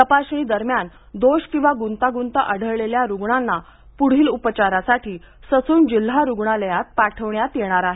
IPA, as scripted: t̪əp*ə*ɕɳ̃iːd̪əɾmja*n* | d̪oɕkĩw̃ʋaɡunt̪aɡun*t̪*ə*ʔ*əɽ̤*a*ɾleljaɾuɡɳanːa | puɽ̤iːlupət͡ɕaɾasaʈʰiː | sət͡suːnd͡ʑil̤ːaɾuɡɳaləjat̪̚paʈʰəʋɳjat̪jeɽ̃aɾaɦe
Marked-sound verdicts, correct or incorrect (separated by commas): incorrect, correct, correct, correct, incorrect